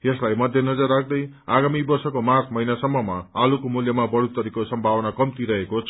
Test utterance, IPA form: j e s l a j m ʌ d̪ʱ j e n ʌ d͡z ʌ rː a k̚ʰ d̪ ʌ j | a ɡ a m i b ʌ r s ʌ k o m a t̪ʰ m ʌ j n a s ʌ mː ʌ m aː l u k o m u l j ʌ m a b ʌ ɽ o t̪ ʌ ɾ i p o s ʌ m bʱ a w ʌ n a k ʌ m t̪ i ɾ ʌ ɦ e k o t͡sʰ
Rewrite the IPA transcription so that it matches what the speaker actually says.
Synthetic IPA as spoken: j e s l a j m ʌ d̪ʱ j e n ʌ d͡z ʌ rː a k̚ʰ d̪ ʌ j | a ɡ a m i b ʌ r s ʌ k o m a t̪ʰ m ʌ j n a s ʌ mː ʌ m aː l u k o m u l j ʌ m a b ʌ ɽ u t̪ ʌ ɾ i k o s ʌ m bʱ a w ʌ n a k ʌ m t̪ i ɾ ʌ ɦ e k o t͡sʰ